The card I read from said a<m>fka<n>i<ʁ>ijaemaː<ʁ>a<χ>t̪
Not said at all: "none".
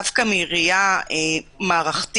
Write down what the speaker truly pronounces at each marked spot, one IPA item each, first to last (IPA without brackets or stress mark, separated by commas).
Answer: none, m, ʁ, ʁ, χ